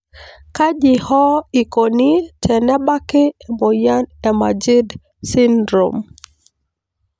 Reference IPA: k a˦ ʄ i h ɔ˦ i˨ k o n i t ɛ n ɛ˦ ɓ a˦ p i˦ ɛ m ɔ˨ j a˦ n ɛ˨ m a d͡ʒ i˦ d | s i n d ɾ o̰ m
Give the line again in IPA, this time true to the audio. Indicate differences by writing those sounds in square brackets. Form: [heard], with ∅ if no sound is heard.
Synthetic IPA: k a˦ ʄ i h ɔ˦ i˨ k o n i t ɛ n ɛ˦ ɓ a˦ [k] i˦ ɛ m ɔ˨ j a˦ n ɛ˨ m a d͡ʒ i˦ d | s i n d ɾ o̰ m